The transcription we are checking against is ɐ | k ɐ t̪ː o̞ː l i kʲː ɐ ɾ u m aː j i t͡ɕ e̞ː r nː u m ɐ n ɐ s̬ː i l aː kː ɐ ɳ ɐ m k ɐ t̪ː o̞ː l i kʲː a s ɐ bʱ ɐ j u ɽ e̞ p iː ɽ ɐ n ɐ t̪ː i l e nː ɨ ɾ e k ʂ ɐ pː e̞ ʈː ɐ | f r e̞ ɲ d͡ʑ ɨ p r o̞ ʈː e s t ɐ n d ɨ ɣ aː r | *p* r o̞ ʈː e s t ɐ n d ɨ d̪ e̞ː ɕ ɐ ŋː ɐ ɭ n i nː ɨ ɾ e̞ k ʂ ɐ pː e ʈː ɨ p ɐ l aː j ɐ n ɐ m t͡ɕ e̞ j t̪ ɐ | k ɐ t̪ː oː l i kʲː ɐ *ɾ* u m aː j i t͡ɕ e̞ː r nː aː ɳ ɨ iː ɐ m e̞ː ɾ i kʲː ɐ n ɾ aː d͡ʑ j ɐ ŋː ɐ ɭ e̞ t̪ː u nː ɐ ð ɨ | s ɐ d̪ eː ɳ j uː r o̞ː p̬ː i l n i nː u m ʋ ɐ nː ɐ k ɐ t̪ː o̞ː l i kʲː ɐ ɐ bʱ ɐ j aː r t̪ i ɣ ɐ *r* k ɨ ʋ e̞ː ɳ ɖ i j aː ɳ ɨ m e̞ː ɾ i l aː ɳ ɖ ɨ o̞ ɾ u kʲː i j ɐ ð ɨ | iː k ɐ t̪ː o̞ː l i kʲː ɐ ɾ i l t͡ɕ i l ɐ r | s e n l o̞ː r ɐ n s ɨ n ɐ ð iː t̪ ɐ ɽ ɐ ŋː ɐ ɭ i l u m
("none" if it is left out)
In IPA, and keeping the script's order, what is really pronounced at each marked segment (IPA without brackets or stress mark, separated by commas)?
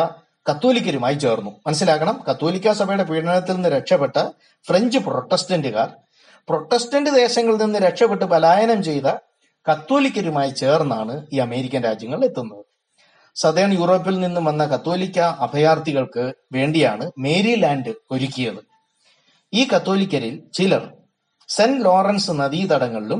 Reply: p, ɾ, ɭ